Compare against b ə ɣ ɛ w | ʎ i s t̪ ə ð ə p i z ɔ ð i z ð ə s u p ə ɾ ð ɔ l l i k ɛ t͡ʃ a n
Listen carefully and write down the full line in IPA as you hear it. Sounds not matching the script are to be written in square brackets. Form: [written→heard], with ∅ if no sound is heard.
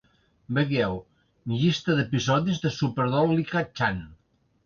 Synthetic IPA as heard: b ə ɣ ɛ w | ʎ i s t̪ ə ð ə p i z ɔ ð i z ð ə s u p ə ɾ ð ɔ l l i k [ɛ→a] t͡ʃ a n